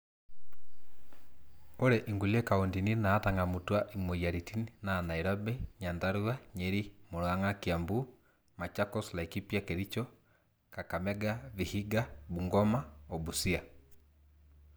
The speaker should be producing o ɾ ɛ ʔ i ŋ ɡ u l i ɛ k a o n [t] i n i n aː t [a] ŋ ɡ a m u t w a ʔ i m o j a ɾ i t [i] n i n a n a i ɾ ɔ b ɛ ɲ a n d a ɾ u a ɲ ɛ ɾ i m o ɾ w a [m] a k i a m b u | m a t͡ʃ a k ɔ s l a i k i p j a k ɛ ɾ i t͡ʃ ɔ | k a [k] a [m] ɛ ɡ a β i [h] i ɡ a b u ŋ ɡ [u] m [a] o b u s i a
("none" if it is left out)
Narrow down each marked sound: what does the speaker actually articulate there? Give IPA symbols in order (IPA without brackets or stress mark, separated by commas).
d, a, i, ŋ, k, m, h, ɔ, a